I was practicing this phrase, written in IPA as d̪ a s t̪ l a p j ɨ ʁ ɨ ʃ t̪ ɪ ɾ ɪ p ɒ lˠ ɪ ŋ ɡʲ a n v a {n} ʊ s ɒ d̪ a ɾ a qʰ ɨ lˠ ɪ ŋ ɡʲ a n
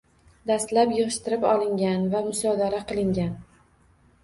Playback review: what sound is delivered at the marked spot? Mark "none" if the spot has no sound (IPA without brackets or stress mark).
m